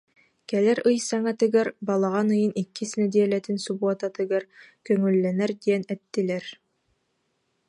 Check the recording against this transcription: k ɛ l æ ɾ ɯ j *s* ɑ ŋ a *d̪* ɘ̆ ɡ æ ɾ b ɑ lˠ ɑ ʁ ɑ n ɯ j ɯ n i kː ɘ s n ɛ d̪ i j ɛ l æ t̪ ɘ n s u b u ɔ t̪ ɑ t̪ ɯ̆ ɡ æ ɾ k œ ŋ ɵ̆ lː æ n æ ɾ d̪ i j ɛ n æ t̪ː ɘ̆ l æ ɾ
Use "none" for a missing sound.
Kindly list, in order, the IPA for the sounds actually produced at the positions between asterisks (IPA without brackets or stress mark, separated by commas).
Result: s, t̪